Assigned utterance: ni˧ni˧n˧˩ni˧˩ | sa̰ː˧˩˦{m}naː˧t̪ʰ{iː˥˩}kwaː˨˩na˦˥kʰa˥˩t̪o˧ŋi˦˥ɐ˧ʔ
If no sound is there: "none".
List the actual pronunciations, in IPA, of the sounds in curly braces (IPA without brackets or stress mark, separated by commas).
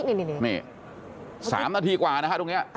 m, iː˧